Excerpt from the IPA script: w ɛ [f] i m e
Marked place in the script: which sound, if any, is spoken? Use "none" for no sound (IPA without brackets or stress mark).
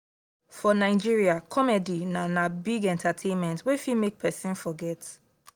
f